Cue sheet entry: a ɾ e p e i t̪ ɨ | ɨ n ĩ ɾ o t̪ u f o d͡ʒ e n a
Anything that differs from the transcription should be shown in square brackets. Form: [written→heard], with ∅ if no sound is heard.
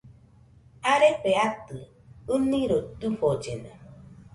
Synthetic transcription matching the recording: a ɾ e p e [i→a] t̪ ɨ | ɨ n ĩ ɾ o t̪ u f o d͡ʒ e n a